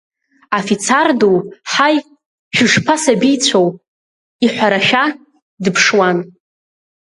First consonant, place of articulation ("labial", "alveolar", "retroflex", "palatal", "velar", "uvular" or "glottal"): labial